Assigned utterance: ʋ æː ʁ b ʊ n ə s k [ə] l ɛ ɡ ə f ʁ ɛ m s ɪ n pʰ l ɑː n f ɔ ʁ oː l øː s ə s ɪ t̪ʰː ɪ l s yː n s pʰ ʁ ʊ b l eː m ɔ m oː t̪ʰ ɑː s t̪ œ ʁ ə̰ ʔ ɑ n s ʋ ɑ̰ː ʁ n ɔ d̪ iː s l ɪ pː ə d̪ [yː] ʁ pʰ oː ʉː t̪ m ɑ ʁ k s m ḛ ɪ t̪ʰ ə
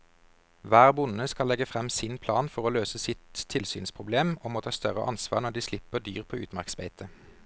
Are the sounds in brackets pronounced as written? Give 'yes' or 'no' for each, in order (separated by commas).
no, yes